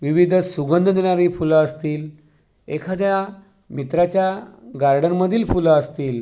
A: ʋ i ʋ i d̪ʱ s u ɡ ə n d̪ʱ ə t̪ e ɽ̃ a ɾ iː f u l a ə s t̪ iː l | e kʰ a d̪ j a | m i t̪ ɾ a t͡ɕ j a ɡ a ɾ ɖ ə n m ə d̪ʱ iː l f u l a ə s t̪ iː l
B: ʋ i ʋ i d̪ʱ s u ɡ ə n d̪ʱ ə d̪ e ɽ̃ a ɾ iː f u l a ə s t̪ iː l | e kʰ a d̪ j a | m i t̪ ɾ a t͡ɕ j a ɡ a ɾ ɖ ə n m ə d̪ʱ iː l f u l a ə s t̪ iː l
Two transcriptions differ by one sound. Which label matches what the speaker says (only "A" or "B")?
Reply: B